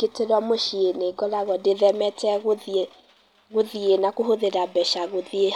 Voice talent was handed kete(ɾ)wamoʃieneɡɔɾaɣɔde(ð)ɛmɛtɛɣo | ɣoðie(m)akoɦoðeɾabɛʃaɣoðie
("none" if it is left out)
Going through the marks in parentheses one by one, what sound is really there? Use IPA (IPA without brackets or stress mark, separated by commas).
ɾ, ð, n